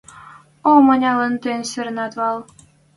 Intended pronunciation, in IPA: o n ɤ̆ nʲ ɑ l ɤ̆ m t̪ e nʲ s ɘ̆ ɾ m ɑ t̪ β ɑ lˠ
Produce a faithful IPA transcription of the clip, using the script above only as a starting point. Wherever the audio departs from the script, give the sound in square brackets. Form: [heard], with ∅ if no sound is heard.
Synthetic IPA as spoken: o [m] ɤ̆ nʲ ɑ l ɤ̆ [n] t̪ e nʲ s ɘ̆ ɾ [n] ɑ t̪ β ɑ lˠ